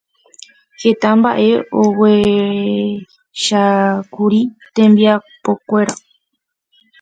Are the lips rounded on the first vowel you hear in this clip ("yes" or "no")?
no